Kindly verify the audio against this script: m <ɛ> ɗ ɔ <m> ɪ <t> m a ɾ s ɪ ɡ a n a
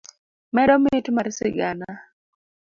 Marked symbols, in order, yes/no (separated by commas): yes, yes, yes